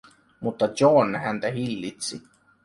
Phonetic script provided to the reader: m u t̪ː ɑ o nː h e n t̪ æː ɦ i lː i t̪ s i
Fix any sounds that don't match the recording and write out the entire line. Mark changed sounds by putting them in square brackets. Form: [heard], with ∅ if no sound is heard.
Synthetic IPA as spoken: m u t̪ː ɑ o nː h [æ] n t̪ [æ] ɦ i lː i t̪ s i